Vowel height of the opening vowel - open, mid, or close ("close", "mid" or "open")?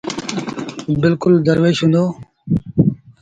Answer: close